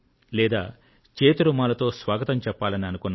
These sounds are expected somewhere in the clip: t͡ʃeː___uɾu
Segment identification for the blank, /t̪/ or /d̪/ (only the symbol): t̪